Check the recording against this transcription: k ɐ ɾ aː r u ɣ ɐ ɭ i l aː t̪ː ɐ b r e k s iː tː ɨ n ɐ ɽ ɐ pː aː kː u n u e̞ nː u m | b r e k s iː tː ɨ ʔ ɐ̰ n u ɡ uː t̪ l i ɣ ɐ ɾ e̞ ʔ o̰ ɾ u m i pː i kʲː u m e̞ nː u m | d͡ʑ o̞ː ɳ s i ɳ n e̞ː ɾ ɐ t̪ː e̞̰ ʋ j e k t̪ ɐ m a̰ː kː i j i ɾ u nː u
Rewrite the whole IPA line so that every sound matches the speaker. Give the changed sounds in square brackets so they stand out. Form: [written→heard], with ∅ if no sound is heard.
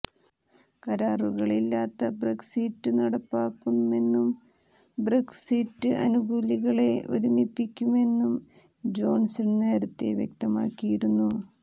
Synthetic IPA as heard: k ɐ ɾ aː r u ɣ ɐ ɭ i [l→lː] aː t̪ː ɐ b r e k s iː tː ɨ n ɐ ɽ ɐ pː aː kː u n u e̞ nː u m | b r e k s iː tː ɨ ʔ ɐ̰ n u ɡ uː [t̪→∅] l i ɣ ɐ [ɾ→ɭ] e̞ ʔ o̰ ɾ u m i pː i kʲː u m e̞ nː u m | d͡ʑ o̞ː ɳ s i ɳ n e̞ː ɾ ɐ t̪ː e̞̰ ʋ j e k t̪ ɐ m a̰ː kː i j i ɾ u nː u